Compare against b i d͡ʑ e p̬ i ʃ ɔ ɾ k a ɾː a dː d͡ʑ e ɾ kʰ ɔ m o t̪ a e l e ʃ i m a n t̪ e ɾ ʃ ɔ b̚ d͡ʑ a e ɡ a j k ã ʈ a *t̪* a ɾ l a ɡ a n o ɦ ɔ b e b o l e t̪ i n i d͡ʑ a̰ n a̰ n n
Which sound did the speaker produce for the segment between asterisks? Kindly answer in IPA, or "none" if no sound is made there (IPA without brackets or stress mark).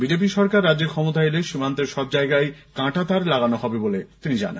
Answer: t̪